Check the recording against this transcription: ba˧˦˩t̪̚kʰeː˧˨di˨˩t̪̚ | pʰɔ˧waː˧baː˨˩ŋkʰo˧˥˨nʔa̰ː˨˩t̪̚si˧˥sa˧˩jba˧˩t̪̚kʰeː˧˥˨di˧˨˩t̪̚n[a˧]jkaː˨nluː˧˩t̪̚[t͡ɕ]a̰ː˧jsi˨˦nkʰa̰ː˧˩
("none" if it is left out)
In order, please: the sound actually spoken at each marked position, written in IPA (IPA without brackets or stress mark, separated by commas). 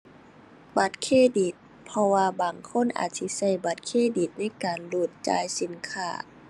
a˧˥˩, t͡ɕ